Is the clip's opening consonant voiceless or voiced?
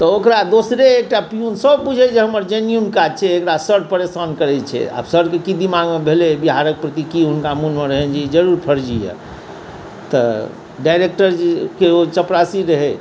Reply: voiceless